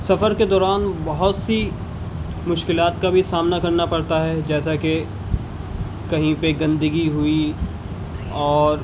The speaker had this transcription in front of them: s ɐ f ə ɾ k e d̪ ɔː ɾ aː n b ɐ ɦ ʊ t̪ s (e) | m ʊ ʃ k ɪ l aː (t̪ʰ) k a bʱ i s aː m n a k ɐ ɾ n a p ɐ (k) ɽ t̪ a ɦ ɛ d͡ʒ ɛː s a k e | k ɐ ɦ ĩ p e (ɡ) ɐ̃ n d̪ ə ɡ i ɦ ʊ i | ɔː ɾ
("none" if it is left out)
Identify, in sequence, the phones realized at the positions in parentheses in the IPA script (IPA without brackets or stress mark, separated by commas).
i, t̪, none, ɡ